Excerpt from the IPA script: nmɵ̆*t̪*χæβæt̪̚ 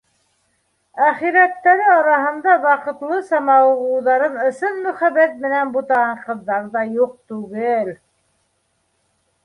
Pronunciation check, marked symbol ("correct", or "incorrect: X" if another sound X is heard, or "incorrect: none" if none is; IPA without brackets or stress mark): incorrect: none